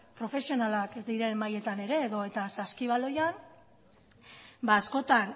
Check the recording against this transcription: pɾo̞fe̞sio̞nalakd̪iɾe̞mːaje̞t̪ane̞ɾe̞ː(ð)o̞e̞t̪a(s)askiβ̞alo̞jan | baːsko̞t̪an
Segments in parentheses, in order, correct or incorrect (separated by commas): correct, correct